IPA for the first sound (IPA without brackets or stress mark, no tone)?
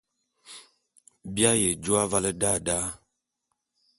b